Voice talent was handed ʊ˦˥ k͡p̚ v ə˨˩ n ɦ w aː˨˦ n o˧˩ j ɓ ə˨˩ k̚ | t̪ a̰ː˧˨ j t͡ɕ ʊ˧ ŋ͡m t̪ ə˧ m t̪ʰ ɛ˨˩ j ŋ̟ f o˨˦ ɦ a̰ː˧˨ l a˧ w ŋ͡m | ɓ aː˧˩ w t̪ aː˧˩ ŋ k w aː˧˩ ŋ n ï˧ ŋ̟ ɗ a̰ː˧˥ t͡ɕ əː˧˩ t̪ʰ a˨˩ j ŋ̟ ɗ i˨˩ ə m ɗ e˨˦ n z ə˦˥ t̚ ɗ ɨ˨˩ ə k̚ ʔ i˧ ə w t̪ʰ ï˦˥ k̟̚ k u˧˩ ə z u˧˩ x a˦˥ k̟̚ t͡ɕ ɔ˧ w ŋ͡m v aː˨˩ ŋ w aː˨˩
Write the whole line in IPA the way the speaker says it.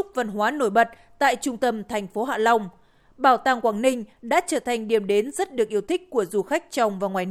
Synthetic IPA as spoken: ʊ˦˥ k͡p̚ v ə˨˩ n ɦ w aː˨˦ n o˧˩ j ɓ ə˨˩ t̚ | t̪ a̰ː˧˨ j t͡ɕ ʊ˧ ŋ͡m t̪ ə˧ m t̪ʰ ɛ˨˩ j ŋ̟ f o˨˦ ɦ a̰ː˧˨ l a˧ w ŋ͡m | ɓ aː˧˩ w t̪ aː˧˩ ŋ k w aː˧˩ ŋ n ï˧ ŋ̟ ɗ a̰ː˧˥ t͡ɕ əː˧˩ t̪ʰ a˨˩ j ŋ̟ ɗ i˨˩ ə m ɗ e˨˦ n z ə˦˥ t̚ ɗ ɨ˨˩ ə k̚ ʔ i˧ ə w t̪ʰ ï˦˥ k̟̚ k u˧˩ ə z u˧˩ x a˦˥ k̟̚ t͡ɕ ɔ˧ w ŋ͡m v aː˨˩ ŋ w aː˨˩